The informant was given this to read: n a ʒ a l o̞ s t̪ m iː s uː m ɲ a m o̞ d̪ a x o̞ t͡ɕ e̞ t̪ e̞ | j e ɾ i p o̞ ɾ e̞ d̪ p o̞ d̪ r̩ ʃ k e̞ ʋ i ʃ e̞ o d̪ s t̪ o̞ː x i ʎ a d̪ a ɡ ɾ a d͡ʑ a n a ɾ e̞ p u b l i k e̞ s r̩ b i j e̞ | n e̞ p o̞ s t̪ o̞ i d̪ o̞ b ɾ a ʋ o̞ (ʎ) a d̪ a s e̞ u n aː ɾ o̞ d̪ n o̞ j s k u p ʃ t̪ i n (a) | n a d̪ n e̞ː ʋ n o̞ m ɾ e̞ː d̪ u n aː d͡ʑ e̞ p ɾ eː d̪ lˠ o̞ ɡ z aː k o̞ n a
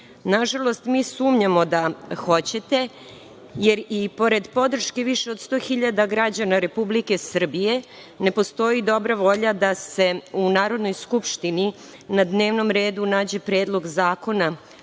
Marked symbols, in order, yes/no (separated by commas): yes, no